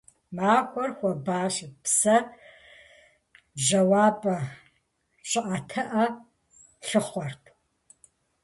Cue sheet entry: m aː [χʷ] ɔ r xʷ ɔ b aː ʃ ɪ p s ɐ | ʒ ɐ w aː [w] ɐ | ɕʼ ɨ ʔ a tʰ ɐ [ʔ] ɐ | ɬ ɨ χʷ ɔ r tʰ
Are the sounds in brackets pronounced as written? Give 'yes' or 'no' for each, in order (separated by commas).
no, no, yes